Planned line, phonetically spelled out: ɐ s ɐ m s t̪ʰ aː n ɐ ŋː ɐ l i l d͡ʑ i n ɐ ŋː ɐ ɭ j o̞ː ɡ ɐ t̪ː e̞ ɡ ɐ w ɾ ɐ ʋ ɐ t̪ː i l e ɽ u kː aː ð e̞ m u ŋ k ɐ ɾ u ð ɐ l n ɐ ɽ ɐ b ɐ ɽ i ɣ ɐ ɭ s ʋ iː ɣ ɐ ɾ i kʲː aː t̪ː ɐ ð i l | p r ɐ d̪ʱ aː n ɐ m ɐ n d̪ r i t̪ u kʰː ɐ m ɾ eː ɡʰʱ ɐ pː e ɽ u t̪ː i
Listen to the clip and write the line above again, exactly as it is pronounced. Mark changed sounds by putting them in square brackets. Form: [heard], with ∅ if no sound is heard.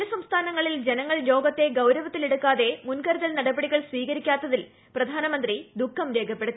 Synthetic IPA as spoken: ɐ s ɐ m s t̪ʰ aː n ɐ ŋː ɐ [ɭ] i l d͡ʑ [e] n ɐ ŋː ɐ ɭ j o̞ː ɡ ɐ t̪ː e̞ ɡ ɐ w ɾ ɐ ʋ ɐ t̪ː i l e ɽ u kː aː ð e̞ m u [n] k ɐ ɾ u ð ɐ l n ɐ ɽ ɐ b ɐ ɽ i ɣ ɐ ɭ s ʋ iː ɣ ɐ ɾ i kʲː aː t̪ː ɐ ð i l | p r ɐ d̪ʱ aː n ɐ m ɐ n d̪ r i [d̪] u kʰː ɐ m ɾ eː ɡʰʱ ɐ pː e ɽ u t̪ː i